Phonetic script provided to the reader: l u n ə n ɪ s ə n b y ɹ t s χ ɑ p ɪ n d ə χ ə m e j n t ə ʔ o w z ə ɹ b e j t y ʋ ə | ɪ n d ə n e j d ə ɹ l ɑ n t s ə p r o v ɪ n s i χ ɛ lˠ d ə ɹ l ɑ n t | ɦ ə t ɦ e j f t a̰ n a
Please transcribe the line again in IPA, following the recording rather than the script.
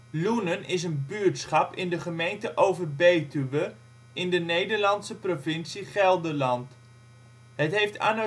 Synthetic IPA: l u n ə n ɪ s ə n b y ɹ t s χ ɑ p ɪ n d ə χ ə m e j n t ə ʔ o w v ə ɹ b e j t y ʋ ə | ɪ n d ə n e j d ə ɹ l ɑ n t s ə p r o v ɪ n s i χ ɛ lˠ d ə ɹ l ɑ n t | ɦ ə t ɦ e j f t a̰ n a